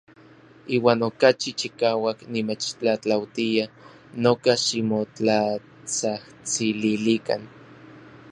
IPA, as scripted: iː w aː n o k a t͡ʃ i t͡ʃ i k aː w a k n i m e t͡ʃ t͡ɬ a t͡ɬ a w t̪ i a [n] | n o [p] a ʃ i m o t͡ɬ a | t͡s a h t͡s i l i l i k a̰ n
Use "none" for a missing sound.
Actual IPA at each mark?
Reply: none, k

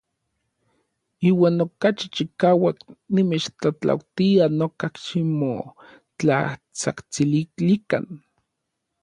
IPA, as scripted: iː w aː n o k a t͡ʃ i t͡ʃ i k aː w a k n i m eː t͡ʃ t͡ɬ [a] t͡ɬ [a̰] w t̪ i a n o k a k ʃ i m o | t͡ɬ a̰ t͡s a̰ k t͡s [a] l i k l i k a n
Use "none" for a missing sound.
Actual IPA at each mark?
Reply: a, a̰, i

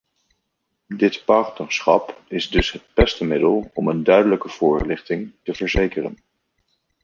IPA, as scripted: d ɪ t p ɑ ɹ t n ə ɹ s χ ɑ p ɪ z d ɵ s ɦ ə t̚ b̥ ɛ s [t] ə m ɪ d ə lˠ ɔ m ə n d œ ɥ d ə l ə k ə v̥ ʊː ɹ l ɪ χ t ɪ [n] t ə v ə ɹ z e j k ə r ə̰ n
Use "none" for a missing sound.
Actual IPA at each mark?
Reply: t, ŋ

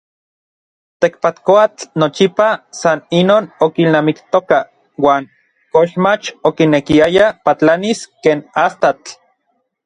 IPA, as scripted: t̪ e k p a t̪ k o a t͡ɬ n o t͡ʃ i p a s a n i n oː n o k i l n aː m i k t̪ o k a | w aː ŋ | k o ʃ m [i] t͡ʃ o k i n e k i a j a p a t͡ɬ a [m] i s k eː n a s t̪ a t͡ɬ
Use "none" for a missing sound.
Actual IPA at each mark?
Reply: a, n

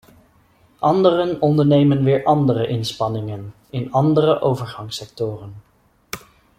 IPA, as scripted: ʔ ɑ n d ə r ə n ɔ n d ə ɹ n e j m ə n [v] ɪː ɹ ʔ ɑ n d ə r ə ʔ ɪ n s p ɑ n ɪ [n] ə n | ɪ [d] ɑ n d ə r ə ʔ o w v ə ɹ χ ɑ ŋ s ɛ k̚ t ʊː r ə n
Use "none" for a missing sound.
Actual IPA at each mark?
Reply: ʋ, ŋ, n

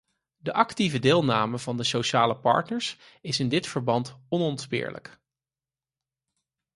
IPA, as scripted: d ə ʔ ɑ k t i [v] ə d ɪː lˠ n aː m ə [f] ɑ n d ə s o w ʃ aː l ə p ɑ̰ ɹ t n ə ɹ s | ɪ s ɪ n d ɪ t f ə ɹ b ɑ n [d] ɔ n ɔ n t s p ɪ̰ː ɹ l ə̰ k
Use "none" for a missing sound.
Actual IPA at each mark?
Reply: v, v, t

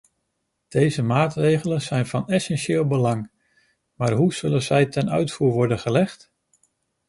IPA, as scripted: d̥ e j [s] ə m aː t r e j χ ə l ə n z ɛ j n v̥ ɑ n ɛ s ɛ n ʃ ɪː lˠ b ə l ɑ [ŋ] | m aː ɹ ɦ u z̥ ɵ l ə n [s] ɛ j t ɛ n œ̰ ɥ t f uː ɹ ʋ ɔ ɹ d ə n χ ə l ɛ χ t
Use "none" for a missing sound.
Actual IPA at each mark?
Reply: z, ŋ, z

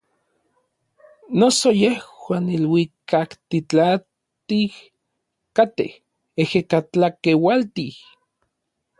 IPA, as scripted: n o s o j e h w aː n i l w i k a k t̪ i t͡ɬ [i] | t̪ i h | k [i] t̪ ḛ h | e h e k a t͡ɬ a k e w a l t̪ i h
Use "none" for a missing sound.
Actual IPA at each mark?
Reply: a, a

